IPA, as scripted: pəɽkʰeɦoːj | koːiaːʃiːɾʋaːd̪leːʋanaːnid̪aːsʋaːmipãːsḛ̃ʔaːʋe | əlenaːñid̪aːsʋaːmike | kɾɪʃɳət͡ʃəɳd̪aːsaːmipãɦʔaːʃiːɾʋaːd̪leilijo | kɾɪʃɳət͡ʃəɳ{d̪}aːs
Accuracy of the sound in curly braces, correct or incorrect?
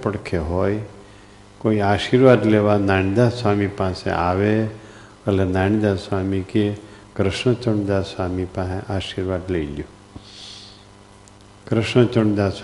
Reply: correct